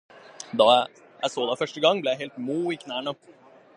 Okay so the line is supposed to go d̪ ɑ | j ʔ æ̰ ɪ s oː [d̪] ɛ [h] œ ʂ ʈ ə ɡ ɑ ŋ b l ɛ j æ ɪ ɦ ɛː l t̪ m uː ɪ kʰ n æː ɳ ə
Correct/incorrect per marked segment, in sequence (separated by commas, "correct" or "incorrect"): correct, incorrect